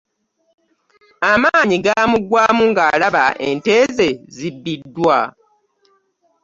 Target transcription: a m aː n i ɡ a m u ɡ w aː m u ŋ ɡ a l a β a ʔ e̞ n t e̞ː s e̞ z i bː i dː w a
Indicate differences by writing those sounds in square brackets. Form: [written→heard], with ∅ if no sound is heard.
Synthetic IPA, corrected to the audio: a m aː [n→ɲ] i ɡ a m u ɡ w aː m u ŋ ɡ a l a β a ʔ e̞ n t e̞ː [s→z] e̞ z i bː i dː w a